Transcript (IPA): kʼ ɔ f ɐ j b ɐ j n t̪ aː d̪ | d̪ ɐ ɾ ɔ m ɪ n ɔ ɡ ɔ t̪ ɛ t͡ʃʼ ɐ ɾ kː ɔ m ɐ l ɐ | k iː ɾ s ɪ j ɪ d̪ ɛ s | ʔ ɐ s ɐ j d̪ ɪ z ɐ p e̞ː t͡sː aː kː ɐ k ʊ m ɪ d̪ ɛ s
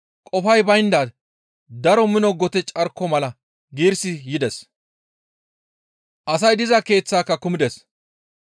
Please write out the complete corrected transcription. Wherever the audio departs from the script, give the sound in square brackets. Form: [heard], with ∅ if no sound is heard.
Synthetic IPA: kʼ ɔ f ɐ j b ɐ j n [d̪] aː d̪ | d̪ ɐ ɾ ɔ m ɪ n ɔ ɡ ɔ t̪ ɛ t͡ʃʼ ɐ ɾ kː ɔ m ɐ l ɐ | [ɡ] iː ɾ s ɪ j ɪ d̪ ɛ s | ʔ ɐ s ɐ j d̪ ɪ z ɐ [k] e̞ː t͡sː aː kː ɐ k ʊ m ɪ d̪ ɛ s